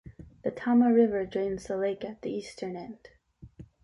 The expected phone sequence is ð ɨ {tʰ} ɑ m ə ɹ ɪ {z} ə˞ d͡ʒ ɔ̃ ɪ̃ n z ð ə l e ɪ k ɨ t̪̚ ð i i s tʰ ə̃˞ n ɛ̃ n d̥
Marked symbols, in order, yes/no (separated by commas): yes, no